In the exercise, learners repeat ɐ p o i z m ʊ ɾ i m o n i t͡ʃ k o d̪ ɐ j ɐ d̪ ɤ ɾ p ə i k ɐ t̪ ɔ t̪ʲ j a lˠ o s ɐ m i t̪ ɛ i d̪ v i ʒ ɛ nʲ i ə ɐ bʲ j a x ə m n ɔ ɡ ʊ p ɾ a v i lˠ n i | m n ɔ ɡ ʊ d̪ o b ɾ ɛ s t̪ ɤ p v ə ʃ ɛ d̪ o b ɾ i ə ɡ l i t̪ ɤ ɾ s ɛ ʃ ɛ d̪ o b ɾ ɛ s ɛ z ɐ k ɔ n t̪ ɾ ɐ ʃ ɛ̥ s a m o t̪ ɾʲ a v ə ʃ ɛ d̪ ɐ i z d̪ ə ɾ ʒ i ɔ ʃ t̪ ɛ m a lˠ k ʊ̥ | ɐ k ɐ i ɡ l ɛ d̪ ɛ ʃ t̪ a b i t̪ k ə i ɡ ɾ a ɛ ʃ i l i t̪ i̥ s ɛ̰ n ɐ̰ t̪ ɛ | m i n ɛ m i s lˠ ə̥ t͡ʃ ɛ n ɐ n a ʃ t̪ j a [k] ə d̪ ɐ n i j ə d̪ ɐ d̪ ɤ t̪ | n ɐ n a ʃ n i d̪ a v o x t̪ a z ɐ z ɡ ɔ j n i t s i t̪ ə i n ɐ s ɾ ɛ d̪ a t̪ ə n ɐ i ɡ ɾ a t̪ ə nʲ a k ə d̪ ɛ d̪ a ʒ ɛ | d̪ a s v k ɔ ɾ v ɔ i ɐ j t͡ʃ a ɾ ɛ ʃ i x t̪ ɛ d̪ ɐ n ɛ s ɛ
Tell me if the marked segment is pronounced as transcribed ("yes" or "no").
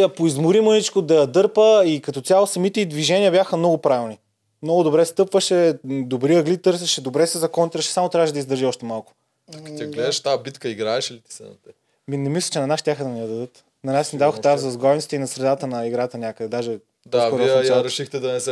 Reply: no